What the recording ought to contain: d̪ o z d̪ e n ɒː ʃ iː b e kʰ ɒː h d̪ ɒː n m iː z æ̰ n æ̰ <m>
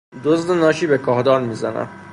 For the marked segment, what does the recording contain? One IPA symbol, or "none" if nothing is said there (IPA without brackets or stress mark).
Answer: m